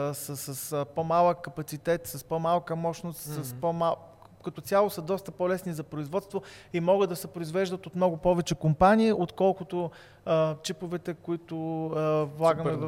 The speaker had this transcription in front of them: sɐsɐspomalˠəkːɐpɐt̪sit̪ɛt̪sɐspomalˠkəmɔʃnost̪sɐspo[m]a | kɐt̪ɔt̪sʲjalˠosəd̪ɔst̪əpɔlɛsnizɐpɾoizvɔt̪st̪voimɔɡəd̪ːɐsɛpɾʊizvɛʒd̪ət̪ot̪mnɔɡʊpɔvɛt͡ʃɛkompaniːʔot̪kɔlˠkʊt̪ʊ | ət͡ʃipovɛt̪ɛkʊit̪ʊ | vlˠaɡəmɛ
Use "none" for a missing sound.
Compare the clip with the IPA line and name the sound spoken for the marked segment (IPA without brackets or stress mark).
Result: m